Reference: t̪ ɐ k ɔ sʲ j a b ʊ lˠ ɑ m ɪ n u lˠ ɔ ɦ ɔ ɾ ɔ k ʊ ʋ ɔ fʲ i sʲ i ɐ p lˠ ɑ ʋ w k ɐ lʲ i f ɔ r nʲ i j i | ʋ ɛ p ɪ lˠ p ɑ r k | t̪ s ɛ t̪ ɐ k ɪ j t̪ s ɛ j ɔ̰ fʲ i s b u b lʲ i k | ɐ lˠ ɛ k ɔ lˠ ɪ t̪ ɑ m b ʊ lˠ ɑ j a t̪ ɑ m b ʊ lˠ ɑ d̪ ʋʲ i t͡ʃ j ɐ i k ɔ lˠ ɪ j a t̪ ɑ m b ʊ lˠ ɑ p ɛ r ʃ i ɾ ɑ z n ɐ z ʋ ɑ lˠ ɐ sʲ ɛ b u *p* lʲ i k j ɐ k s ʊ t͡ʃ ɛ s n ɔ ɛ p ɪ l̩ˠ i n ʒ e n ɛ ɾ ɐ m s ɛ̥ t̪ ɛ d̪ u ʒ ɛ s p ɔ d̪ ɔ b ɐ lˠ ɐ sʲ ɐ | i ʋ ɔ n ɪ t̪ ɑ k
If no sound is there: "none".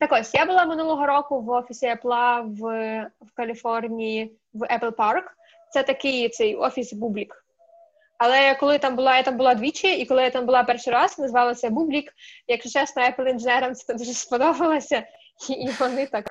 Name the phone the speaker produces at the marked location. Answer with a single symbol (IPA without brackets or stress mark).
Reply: b